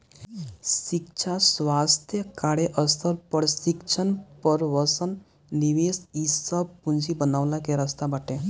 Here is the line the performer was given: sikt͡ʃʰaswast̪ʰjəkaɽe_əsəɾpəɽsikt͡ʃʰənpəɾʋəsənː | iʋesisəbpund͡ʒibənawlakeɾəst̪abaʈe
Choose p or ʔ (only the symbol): ʔ